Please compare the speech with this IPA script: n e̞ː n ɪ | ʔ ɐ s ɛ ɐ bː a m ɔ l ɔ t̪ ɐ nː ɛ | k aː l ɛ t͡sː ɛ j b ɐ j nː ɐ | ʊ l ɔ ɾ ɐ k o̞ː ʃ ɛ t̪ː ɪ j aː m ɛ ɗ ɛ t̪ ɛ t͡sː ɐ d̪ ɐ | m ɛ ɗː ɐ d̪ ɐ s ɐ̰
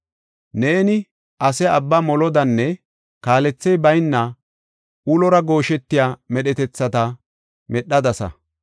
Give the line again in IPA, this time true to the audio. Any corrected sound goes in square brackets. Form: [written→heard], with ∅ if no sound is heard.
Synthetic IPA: n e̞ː n ɪ | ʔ ɐ s ɛ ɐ bː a m ɔ l ɔ [t̪→d̪] ɐ nː ɛ | k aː l ɛ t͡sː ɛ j b ɐ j nː ɐ | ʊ l ɔ ɾ ɐ [k→ɡ] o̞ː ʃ ɛ t̪ː ɪ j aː m ɛ ɗ ɛ t̪ ɛ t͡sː ɐ [d̪→t̪] ɐ | m ɛ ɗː ɐ d̪ ɐ s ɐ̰

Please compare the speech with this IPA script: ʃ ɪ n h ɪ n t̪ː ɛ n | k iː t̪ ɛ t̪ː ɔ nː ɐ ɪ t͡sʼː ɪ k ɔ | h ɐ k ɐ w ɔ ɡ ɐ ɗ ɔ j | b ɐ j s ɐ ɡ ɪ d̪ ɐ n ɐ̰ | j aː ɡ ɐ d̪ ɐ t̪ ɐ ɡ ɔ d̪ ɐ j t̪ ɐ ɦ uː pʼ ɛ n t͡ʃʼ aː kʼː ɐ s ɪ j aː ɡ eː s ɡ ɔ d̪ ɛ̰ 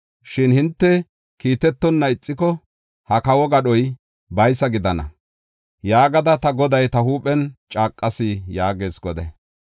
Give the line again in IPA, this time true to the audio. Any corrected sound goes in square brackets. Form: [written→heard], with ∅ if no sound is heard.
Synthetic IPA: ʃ ɪ n h ɪ n t̪ː ɛ [n→∅] | k iː t̪ ɛ t̪ː ɔ nː ɐ ɪ t͡sʼː ɪ k ɔ | h ɐ k ɐ w ɔ ɡ ɐ ɗ ɔ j | b ɐ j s ɐ ɡ ɪ d̪ ɐ n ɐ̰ | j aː ɡ ɐ d̪ ɐ t̪ ɐ ɡ ɔ d̪ ɐ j t̪ ɐ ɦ uː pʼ ɛ n t͡ʃʼ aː kʼː ɐ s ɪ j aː ɡ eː s ɡ ɔ d̪ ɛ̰

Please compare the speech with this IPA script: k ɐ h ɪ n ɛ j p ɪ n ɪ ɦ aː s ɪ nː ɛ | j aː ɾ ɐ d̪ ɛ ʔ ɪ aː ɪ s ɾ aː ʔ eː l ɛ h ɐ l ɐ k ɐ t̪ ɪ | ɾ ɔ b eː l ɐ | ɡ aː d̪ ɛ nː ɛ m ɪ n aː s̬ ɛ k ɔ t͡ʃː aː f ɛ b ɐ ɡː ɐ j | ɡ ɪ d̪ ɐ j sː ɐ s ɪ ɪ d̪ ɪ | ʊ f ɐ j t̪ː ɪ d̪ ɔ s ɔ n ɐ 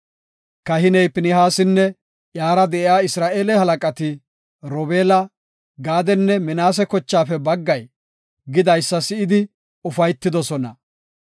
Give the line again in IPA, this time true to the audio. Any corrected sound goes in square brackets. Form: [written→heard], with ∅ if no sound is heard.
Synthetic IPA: k ɐ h ɪ n ɛ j p ɪ n ɪ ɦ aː s ɪ nː ɛ | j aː ɾ ɐ d̪ ɛ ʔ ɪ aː ɪ s ɾ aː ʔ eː l ɛ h ɐ l ɐ [k→kʼ] ɐ t̪ ɪ | ɾ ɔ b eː l ɐ | ɡ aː d̪ ɛ nː ɛ m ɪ n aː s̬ ɛ k ɔ t͡ʃː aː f ɛ b ɐ ɡː ɐ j | ɡ ɪ d̪ ɐ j sː ɐ s ɪ ɪ d̪ ɪ | ʊ f ɐ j t̪ː ɪ d̪ ɔ s ɔ n ɐ

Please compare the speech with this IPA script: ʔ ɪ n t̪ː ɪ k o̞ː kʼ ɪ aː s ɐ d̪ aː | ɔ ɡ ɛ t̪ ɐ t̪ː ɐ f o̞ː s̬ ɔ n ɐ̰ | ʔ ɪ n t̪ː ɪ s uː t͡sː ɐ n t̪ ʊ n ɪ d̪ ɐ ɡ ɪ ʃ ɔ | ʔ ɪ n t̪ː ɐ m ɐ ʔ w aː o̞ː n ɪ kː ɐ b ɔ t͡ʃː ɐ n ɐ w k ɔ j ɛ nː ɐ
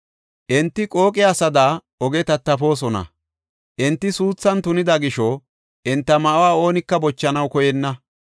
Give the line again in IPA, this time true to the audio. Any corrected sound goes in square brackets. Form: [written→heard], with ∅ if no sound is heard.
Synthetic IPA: ʔ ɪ n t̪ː ɪ [k→kʼ] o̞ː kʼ ɪ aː s ɐ d̪ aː | ɔ ɡ ɛ t̪ ɐ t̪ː ɐ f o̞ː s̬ ɔ n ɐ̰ | ʔ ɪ n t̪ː ɪ s uː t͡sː ɐ n t̪ ʊ n ɪ d̪ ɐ ɡ ɪ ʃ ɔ | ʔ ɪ n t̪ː ɐ m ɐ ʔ w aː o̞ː n ɪ kː ɐ b ɔ t͡ʃː ɐ n ɐ w k ɔ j ɛ nː ɐ

